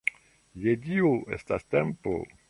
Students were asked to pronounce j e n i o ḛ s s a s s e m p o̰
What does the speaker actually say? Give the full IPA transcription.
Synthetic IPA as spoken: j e d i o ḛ s t a s t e m p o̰